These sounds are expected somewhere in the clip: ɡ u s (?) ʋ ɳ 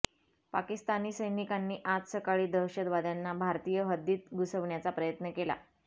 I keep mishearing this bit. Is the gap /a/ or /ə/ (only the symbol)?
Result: ə